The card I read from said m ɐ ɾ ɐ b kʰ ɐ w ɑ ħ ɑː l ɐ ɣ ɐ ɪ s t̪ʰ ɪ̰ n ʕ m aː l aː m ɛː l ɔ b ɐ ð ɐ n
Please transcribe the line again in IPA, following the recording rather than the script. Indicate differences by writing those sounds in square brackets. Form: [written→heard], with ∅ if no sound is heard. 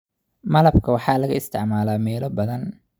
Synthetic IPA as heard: m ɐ [ɾ→l] ɐ b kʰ ɐ w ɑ ħ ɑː l ɐ ɣ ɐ ɪ s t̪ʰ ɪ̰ [n→∅] ʕ m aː l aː m ɛː l ɔ b ɐ ð ɐ n